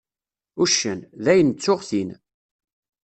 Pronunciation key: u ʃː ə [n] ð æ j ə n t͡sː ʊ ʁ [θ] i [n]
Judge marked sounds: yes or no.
yes, yes, yes

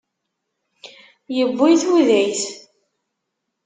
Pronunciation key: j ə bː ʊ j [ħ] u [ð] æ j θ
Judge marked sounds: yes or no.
no, yes

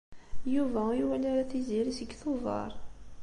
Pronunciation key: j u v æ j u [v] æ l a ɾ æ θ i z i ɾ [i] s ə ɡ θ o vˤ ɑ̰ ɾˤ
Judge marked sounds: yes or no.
no, yes

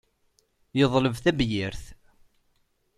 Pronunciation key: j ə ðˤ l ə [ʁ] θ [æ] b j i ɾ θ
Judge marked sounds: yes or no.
no, yes

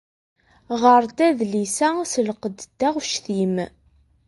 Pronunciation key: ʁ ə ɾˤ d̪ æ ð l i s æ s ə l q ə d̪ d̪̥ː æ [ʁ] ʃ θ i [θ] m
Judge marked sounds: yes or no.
yes, no

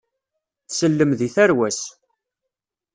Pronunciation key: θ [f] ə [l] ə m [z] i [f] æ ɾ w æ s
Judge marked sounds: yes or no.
no, no, no, no

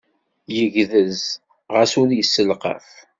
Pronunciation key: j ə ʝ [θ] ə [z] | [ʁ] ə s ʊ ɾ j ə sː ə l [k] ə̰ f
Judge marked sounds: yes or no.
no, yes, yes, no

